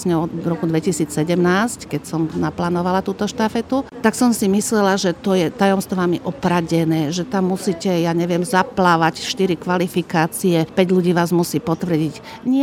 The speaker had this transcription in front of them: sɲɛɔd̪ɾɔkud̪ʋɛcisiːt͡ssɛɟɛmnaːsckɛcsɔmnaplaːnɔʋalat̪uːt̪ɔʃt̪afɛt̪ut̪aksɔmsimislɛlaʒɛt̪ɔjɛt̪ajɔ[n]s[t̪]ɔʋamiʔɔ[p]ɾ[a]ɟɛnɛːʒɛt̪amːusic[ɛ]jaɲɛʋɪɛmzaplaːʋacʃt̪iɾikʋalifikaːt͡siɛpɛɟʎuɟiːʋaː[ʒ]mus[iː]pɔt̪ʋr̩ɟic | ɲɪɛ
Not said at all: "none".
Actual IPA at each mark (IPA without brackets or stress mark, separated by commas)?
m, t̪, p, a, ɛ, z, iː